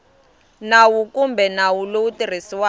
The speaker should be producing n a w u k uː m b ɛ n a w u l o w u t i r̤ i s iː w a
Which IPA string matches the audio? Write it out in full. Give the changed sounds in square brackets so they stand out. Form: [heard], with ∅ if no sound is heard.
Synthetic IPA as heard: n a w u k [u] m b ɛ n a w u l o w u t i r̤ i s [i] w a